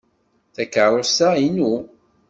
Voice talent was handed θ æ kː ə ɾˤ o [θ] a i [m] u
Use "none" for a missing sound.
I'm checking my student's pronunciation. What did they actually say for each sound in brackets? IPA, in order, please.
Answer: s, n

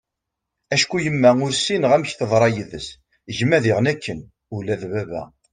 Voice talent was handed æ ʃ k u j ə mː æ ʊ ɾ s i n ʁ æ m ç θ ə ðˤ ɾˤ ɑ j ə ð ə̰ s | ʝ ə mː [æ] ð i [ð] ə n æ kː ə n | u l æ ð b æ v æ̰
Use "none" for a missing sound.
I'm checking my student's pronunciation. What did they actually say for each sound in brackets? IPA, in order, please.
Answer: æ, ʁ

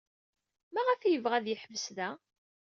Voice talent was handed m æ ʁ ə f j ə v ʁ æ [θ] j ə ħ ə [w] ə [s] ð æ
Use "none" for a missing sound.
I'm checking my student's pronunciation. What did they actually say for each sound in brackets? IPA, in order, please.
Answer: ð, v, s

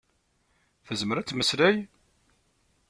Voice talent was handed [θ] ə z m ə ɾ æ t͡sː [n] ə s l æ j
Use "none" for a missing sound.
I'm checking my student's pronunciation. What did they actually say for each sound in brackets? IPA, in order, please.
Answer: θ, m

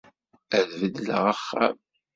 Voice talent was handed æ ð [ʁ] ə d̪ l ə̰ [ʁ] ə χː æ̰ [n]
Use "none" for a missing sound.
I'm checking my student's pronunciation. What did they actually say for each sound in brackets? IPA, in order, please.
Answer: v, ʁ, m

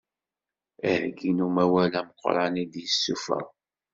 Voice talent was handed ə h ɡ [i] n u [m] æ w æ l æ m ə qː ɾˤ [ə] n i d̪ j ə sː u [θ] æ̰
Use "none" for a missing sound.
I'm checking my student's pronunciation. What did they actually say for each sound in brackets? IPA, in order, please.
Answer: i, m, ɑ, f

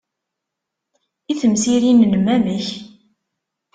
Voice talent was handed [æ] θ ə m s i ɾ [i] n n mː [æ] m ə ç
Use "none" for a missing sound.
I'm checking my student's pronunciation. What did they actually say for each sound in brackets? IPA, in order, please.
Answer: i, i, æ

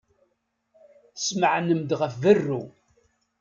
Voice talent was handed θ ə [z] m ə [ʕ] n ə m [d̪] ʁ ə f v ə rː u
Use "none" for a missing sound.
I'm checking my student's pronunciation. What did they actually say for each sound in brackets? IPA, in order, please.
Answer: s, ʕ, d̪

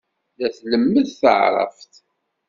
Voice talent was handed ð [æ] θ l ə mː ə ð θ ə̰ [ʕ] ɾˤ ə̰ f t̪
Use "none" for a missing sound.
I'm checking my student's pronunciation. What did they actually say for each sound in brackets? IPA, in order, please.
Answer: æ, ʕ

